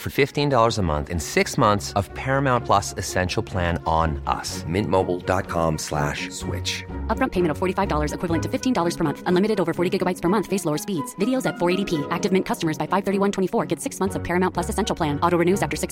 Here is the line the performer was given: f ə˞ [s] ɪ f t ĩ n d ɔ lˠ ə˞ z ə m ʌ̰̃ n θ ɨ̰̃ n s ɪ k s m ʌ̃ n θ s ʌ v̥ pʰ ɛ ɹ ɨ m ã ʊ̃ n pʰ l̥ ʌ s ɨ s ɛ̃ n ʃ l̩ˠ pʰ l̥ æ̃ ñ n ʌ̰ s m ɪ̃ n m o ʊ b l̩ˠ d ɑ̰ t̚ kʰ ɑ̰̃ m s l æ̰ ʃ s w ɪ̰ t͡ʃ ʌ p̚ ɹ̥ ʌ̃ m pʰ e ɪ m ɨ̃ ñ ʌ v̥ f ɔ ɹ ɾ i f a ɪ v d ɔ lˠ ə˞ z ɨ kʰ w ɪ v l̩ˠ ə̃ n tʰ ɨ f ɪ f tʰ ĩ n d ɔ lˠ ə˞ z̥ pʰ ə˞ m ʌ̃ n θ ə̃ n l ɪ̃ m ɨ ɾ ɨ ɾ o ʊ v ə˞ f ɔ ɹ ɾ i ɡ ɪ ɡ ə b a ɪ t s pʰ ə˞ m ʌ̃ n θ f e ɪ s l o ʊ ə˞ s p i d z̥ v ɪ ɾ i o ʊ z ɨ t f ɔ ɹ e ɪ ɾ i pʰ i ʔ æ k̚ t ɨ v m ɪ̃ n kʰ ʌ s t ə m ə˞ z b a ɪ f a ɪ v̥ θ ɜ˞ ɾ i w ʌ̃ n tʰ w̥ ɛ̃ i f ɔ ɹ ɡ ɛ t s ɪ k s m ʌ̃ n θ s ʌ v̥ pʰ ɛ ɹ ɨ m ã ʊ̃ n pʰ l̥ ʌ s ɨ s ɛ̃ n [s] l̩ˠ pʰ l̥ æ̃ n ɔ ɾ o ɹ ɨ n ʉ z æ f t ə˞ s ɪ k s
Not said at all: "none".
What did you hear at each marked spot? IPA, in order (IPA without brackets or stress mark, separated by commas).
f, ʃ